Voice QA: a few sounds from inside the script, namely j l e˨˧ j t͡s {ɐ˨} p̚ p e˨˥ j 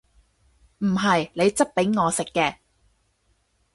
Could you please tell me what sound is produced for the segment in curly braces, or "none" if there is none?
ɐ˥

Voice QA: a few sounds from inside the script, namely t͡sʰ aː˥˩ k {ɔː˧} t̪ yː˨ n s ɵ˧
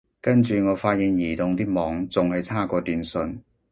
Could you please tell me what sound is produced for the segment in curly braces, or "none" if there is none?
ɔː˧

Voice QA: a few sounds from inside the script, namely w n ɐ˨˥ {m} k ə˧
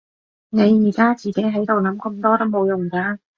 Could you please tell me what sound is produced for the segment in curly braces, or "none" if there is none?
m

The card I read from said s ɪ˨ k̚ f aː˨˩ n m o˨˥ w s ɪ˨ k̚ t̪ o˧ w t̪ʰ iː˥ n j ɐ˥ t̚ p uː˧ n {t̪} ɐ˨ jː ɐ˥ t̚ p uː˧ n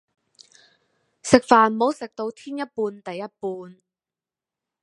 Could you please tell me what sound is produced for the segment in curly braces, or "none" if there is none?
t̪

